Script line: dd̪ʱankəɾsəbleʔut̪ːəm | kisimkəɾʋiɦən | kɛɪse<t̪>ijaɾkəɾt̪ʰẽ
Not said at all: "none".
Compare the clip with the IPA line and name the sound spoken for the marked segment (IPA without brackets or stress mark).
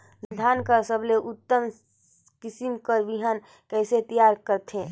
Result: t̪